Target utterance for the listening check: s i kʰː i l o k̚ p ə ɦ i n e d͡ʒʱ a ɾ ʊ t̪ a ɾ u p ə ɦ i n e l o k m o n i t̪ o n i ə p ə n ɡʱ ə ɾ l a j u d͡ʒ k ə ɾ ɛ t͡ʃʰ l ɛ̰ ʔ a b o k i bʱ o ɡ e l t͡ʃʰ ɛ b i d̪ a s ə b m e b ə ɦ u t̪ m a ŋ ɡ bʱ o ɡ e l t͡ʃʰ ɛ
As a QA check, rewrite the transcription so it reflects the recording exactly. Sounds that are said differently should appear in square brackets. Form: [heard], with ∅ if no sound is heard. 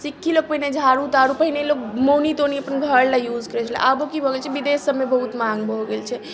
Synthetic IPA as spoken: s i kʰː i l o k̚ p ə ɦ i n e d͡ʒʱ a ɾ [u] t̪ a ɾ u p ə ɦ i n e l o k m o n i t̪ o n i ə p ə n ɡʱ ə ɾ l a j u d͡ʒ k ə ɾ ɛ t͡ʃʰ l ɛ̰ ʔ a b o k i bʱ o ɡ e l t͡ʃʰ ɛ b i d̪ [e] s ə b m e b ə ɦ u t̪ m a ŋ ɡ bʱ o ɡ e l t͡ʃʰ ɛ